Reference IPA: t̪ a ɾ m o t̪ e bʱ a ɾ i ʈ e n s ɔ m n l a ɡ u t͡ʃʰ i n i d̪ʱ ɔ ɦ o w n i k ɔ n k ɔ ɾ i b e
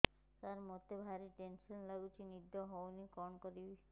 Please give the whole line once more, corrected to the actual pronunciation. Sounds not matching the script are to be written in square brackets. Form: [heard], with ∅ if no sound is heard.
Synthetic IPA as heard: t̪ a ɾ m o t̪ e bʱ a ɾ i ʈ e n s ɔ [∅] n l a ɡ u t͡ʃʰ i n i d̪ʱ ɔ ɦ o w n i k ɔ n k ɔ ɾ i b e